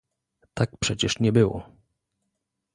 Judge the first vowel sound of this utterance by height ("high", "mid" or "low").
low